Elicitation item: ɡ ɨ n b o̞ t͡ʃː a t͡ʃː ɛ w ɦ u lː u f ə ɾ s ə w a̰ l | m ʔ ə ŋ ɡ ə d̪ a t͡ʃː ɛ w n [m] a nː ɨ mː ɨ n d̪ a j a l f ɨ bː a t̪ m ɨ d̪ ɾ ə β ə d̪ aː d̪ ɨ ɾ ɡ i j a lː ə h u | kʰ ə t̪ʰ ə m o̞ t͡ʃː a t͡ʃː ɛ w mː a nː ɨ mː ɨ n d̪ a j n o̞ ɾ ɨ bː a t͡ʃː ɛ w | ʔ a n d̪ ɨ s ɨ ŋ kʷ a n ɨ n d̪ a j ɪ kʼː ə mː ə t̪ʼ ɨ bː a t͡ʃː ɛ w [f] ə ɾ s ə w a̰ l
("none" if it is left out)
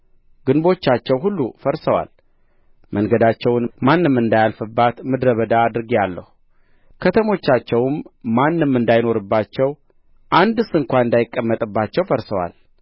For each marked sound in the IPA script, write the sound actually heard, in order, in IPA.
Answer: m, f

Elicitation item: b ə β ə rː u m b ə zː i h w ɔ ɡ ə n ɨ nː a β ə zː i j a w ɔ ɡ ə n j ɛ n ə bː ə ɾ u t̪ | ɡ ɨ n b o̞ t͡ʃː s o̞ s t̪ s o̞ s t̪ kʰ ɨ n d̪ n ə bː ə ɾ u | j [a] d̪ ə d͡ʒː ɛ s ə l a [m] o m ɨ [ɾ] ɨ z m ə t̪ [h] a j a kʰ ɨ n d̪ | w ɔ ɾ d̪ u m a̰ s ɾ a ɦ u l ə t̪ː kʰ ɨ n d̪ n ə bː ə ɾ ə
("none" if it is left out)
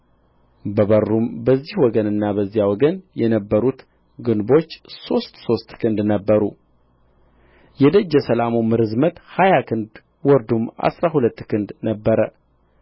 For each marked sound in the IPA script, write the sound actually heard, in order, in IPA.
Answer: ɛ, m, ɾ, h

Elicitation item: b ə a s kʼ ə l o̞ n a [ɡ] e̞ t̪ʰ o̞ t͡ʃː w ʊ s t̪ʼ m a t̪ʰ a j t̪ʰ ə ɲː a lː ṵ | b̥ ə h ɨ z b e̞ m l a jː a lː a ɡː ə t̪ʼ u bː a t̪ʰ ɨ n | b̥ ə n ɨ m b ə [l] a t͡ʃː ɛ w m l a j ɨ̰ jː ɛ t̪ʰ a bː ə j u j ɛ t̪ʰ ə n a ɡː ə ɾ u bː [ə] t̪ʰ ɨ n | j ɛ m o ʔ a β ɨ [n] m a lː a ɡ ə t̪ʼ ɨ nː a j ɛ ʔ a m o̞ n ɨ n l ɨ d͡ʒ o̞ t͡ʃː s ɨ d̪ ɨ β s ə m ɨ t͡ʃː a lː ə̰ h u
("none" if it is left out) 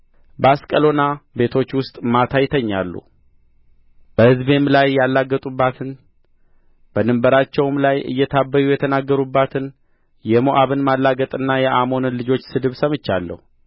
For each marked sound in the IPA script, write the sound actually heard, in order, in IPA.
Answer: b, ɾ, a, n

